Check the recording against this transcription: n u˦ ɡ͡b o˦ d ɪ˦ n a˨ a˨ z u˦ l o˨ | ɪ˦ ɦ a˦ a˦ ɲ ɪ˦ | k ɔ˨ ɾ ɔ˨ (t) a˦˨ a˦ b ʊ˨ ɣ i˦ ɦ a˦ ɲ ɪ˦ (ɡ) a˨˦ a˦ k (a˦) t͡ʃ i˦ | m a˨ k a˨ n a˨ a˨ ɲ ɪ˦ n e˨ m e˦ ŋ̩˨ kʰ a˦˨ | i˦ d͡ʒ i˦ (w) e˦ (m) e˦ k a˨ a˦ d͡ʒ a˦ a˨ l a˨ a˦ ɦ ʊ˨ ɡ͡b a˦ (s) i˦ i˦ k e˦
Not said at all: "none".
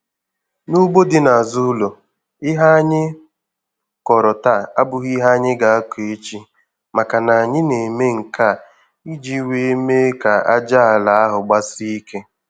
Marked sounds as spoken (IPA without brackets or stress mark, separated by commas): t, ɡ, e˦, w, m, s